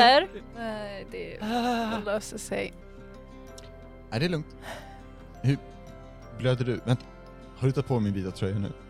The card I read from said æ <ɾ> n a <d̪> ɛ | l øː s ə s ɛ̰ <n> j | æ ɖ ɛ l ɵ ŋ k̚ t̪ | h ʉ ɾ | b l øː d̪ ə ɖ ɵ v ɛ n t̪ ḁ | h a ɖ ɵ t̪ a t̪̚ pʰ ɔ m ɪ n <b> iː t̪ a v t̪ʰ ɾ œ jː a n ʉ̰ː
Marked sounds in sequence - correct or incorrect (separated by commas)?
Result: correct, correct, incorrect, correct